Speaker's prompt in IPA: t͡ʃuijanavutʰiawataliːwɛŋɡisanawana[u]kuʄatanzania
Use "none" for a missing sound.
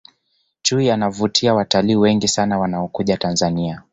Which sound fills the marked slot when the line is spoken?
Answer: ɔ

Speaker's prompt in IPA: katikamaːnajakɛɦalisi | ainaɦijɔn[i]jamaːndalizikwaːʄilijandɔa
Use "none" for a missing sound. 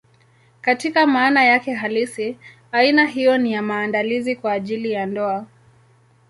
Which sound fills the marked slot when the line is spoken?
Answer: i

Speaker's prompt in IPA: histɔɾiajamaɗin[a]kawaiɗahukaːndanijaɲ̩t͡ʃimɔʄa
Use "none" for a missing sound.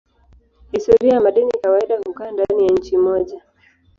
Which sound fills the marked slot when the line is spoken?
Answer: i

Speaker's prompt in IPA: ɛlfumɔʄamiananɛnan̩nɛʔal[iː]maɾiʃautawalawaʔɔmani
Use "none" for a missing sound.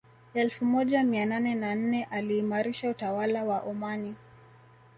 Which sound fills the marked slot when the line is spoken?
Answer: iː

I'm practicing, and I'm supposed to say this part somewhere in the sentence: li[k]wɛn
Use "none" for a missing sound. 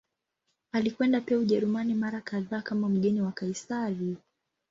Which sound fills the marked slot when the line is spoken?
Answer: k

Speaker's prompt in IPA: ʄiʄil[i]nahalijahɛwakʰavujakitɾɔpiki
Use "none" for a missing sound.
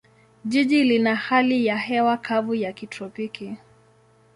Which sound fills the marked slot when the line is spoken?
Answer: i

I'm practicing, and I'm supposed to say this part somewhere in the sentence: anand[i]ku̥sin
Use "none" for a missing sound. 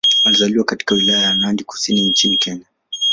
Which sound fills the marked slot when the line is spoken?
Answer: i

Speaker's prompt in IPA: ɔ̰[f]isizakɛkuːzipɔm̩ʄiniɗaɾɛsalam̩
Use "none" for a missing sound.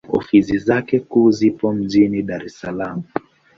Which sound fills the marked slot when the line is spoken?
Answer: f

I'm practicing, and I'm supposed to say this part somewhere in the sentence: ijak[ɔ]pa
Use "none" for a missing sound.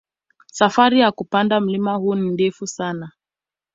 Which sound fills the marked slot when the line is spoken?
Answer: u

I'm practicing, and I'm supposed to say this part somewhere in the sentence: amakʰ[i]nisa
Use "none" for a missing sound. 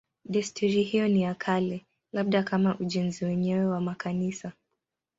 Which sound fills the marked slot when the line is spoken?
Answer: a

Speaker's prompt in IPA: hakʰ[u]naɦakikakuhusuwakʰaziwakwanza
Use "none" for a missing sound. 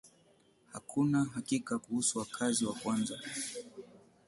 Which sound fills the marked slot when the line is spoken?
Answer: u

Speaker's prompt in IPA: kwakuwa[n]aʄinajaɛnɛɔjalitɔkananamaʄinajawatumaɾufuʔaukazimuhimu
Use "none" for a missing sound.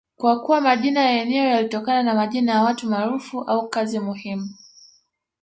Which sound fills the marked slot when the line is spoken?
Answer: m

